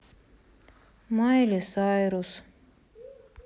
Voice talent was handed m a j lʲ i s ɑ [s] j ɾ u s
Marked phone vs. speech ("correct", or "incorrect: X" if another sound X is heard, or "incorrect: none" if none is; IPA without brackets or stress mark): incorrect: none